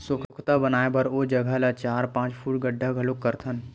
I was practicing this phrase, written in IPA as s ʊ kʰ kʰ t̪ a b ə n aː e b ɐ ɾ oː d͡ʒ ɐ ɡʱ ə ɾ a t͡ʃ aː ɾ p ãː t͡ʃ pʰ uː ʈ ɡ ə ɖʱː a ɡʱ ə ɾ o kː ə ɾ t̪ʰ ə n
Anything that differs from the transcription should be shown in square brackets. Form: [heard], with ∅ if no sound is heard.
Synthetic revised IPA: s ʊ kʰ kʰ t̪ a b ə n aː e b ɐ ɾ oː d͡ʒ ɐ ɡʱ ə [l] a t͡ʃ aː ɾ p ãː t͡ʃ pʰ uː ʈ ɡ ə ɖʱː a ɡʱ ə [l] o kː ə ɾ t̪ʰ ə n